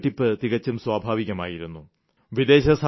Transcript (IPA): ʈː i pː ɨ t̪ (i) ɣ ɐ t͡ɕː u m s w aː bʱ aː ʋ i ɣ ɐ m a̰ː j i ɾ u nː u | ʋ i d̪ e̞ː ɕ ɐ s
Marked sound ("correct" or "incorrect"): correct